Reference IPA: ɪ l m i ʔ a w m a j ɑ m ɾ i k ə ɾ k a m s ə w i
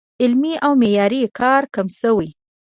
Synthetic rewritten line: ɪ l m i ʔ a w m e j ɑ ɾ i k ɑ ɾ k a m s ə w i